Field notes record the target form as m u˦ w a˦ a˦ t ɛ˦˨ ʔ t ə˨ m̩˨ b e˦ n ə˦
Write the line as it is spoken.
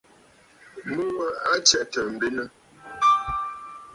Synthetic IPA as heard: m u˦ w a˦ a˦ t͡ʃ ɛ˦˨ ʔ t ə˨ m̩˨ b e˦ n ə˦